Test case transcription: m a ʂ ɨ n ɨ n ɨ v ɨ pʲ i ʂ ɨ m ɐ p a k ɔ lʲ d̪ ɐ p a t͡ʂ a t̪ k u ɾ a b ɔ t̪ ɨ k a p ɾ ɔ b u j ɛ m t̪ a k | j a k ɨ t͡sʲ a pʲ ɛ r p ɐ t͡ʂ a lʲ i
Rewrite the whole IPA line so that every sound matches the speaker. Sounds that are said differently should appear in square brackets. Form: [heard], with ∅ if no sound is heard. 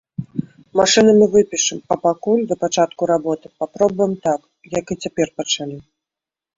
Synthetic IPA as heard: m a ʂ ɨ n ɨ [m] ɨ v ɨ pʲ i ʂ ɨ m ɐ p a k [u] lʲ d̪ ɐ p a t͡ʂ a t̪ k u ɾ a b ɔ t̪ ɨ [p] a p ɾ ɔ b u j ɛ m t̪ a k | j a k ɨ t͡sʲ a pʲ ɛ r p ɐ t͡ʂ a lʲ i